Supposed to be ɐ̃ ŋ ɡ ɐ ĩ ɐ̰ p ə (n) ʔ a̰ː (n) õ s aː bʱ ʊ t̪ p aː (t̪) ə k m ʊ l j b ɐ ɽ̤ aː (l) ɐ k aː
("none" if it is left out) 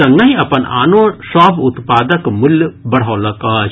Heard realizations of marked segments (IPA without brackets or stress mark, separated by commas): n, n, d̪, l